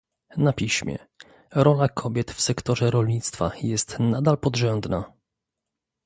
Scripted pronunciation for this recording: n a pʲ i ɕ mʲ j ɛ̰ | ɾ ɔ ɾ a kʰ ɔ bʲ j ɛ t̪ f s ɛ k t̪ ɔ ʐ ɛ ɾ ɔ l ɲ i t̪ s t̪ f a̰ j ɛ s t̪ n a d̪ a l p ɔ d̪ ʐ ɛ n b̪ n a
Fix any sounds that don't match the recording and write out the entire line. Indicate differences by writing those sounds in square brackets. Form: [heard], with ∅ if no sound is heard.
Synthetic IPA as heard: n a pʲ i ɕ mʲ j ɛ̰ | ɾ ɔ [l] a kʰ ɔ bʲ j ɛ t̪ f s ɛ k t̪ ɔ ʐ ɛ ɾ ɔ l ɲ i t̪ s t̪ f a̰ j ɛ s t̪ n a d̪ a l p ɔ d̪ ʐ ɛ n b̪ n a